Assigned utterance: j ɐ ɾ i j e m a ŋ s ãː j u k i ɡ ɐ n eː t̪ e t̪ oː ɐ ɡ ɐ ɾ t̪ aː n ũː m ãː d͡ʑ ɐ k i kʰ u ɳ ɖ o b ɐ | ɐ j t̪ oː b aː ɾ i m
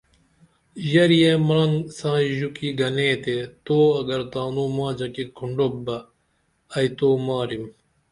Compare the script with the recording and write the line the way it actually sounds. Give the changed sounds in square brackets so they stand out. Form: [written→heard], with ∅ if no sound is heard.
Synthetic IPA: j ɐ ɾ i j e m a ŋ s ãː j u k i ɡ ɐ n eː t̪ e t̪ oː ɐ ɡ ɐ ɾ t̪ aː n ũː m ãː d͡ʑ ɐ k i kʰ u ɳ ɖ o b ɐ | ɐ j t̪ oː [b→m] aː ɾ i m